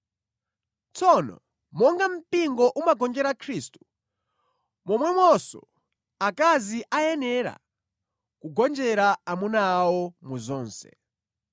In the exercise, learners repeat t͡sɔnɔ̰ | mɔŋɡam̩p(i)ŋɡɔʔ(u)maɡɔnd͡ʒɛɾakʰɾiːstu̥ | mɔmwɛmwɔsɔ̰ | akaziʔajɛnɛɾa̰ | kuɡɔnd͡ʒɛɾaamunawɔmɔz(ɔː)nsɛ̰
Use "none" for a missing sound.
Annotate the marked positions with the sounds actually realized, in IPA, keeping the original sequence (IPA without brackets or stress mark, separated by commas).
i, u, ɔː